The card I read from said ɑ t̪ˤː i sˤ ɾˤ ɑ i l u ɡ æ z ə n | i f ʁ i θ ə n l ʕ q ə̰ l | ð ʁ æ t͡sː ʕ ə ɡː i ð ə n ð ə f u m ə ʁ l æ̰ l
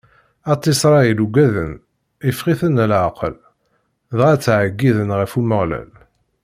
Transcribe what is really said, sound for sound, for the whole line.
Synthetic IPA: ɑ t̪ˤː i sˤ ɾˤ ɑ i l u ɡ æ ð ə n | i f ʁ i θ ə n l ʕ q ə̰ l | ð ʁ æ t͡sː ʕ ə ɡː i ð ə n ʁ ə f u m ə ʁ l æ̰ l